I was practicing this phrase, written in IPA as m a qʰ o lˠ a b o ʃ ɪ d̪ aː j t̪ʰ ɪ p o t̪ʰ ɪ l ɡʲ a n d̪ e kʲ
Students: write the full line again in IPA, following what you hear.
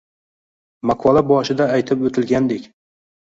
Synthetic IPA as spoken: m a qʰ ɒ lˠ a b ɒ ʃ ɪ d̪ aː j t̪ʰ ɪ p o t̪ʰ ɪ l ɡʲ a n d̪ e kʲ